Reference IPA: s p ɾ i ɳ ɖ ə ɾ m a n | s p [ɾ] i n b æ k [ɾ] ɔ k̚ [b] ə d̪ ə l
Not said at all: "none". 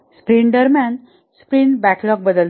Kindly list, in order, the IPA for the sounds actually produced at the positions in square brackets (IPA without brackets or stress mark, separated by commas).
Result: ɾ, l, b